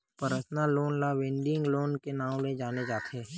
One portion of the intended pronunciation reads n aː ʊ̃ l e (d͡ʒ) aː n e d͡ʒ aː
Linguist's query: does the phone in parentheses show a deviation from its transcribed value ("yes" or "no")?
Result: no